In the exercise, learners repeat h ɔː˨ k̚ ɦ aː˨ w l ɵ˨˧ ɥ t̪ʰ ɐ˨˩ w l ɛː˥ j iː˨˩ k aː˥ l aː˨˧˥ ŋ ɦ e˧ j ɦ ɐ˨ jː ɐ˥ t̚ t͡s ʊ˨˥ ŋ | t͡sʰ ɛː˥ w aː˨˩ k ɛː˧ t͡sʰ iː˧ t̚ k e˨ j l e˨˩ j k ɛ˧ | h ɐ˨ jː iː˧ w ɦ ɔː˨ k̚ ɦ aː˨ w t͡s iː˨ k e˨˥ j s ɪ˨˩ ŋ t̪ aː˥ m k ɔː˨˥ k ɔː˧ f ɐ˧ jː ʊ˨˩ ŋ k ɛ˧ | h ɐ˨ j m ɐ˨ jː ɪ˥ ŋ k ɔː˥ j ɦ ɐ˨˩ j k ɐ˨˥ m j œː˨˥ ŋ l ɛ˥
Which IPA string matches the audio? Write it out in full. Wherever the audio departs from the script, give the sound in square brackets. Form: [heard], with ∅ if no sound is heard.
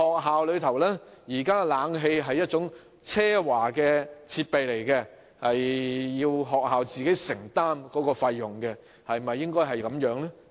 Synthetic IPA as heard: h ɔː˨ k̚ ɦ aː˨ w l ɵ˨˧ ɥ t̪ʰ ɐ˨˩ w l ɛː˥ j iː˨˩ k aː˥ l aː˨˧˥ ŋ ɦ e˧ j ɦ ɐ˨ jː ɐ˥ t̚ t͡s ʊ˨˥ ŋ | t͡sʰ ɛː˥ w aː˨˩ k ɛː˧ t͡sʰ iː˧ t̚ [p] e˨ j l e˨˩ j k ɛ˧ | h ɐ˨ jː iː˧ w ɦ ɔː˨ k̚ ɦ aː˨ w t͡s iː˨ k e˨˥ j s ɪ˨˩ ŋ t̪ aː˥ m k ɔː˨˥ k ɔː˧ f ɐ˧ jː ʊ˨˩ ŋ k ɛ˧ | h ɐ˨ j m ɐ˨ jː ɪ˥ ŋ k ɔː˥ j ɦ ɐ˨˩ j k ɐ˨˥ m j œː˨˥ ŋ l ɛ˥